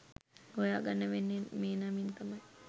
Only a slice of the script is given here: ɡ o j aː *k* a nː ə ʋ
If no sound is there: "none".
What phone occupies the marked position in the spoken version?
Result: ɡ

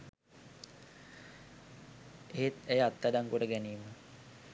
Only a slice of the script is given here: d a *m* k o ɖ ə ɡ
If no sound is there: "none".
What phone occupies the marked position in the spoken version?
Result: ŋ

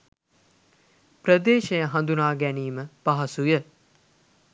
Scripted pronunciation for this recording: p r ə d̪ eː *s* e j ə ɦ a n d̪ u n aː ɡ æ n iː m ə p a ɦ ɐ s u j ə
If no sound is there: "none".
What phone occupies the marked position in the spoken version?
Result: ʃ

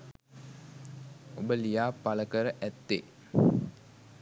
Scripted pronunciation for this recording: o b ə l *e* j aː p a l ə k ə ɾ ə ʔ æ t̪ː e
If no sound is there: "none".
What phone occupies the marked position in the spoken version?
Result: i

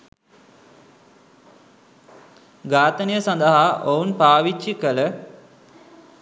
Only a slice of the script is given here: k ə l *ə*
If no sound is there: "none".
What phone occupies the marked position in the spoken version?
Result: ə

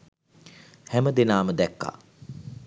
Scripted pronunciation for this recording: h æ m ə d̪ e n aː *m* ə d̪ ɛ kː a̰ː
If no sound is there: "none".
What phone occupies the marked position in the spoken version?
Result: m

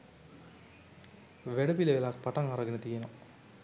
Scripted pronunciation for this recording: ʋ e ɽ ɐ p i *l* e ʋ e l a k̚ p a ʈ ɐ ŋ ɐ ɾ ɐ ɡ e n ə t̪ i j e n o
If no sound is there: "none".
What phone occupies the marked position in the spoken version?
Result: l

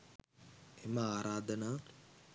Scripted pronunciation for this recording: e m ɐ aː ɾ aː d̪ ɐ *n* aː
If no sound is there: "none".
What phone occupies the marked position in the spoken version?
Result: n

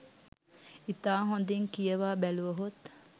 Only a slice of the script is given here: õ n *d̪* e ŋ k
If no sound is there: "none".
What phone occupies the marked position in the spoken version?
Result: d̪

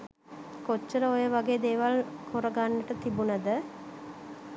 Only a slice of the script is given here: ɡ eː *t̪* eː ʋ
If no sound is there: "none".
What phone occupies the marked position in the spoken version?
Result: d̪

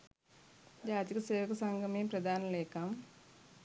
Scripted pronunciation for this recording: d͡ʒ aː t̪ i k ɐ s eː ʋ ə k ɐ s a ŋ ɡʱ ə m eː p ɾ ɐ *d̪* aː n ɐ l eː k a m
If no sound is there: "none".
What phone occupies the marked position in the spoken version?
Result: d̪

